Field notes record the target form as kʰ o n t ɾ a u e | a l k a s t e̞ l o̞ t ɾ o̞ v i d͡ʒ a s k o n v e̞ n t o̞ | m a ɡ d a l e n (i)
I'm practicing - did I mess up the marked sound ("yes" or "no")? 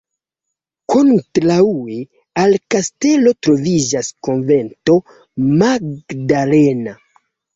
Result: yes